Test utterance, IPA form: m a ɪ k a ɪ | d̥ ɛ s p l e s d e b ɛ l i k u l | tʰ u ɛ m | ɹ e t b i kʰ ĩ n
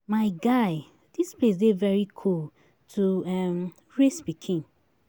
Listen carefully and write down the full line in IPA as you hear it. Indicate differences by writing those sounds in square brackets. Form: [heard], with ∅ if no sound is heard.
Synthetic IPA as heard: m a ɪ [ɡ] a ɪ | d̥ [i] s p l e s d e [v] ɛ [ɹ] i [kʰ] u l | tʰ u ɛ m | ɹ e [s] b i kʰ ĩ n